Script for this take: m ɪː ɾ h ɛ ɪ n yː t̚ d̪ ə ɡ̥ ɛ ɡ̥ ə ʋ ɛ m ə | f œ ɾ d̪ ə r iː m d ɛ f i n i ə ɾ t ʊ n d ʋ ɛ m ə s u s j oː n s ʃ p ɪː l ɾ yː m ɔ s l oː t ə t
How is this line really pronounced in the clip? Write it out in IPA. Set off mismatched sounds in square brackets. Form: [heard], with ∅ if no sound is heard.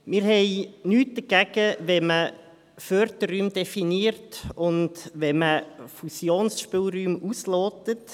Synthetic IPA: m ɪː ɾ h ɛ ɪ n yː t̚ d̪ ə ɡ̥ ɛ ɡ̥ ə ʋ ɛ m ə | f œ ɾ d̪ ə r [yː] m d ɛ f i n i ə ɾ t ʊ n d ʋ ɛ m ə [f] u s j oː n s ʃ p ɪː l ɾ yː m [u] s l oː t ə t